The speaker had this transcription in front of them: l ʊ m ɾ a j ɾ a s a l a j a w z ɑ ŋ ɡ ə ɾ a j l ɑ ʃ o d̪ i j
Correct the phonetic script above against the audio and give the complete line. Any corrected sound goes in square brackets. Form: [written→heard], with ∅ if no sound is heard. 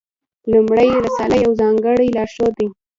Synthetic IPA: l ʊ m [ɾ→ɽ] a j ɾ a s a l a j a w z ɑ ŋ ɡ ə [ɾ→ɽ] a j l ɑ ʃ o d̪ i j